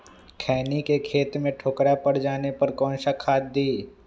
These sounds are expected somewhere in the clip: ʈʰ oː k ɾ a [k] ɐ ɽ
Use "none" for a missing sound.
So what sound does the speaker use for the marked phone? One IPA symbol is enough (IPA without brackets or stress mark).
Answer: p